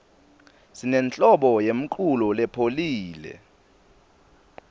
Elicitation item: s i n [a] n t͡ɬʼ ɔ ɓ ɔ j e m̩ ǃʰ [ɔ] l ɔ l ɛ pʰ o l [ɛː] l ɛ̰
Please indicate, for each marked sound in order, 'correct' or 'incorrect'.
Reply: incorrect: ɛ, incorrect: u, incorrect: iː

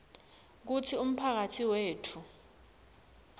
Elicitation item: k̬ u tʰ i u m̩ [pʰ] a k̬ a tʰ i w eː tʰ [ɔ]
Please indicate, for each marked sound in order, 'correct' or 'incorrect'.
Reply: correct, incorrect: u

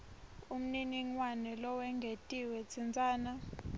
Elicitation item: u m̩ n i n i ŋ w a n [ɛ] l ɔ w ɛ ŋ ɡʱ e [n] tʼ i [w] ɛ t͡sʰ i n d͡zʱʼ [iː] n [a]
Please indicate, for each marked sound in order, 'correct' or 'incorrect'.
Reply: correct, incorrect: none, correct, incorrect: aː, correct

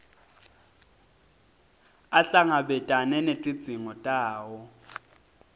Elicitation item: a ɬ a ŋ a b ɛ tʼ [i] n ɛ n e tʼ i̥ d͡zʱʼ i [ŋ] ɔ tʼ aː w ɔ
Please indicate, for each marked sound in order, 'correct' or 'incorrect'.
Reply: incorrect: a, correct

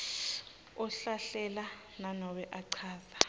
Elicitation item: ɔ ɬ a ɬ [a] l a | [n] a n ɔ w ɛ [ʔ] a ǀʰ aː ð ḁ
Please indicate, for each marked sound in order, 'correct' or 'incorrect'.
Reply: incorrect: ɛ, correct, correct

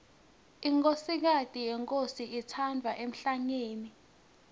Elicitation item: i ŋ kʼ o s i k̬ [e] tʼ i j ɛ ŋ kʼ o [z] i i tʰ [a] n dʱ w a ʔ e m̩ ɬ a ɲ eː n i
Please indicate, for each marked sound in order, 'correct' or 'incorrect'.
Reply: incorrect: a, incorrect: s, correct

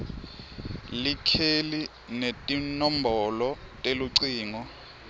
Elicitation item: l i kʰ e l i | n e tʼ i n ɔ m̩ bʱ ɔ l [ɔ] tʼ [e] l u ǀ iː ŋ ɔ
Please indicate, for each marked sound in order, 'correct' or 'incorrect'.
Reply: correct, correct

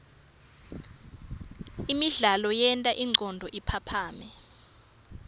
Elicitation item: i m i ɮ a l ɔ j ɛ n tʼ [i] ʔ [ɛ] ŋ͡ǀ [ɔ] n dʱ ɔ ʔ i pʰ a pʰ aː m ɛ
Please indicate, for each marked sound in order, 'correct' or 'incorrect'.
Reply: incorrect: a, incorrect: i, correct

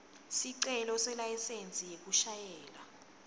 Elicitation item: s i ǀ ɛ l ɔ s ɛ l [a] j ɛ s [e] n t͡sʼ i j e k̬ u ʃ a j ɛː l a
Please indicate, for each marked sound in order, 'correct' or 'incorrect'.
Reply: correct, correct

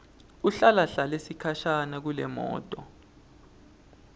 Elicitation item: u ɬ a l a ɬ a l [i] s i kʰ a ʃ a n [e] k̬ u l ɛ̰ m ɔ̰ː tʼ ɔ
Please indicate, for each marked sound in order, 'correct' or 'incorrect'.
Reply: incorrect: e, incorrect: a

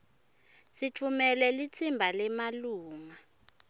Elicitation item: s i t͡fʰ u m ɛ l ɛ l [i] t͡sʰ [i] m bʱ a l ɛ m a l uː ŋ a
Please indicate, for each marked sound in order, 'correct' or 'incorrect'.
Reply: correct, correct

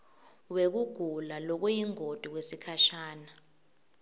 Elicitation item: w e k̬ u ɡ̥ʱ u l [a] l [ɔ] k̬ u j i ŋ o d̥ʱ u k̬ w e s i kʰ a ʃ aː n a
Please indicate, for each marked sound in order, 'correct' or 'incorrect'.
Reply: correct, correct

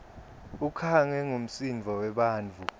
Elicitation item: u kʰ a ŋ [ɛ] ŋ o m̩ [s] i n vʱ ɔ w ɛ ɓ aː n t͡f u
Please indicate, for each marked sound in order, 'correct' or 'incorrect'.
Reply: correct, correct

